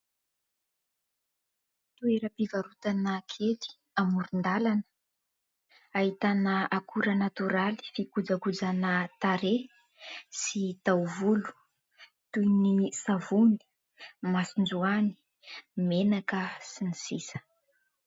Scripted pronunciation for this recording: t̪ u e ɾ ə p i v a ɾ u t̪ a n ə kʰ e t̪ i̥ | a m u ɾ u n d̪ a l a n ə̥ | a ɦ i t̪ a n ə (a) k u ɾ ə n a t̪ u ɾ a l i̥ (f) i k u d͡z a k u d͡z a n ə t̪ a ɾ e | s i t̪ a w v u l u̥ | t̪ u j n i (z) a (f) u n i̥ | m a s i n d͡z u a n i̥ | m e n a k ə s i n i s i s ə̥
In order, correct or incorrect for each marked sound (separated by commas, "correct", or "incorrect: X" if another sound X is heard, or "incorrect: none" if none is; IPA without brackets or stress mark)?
correct, correct, incorrect: s, incorrect: v